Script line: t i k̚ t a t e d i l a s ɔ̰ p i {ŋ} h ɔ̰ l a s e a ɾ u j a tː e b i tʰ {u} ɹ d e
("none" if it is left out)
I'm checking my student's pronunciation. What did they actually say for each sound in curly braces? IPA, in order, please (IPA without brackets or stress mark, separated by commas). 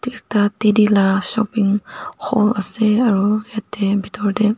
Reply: ŋ, ɔ